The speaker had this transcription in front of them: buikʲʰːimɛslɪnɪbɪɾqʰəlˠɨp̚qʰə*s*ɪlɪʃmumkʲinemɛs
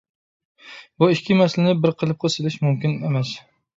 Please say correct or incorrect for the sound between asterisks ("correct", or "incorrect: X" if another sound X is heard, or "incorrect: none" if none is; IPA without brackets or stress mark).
correct